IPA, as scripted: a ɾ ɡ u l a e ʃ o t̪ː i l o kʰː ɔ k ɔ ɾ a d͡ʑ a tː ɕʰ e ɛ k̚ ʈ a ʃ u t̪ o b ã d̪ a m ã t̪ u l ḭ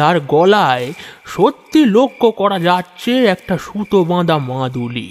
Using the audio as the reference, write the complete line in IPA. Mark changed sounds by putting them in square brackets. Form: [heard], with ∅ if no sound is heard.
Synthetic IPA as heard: a ɾ ɡ [ɔ] l a e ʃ o t̪ː i l o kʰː [o] k ɔ ɾ a d͡ʑ a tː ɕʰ e ɛ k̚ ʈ a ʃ u t̪ o b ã d̪ a m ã [d̪] u l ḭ